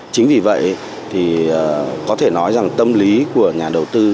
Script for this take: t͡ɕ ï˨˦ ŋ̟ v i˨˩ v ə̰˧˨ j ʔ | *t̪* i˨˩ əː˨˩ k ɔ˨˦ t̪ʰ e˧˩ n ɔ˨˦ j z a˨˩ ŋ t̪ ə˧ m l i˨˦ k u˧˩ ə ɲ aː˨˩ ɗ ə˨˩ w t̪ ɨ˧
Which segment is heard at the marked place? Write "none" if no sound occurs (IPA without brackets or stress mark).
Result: t̪ʰ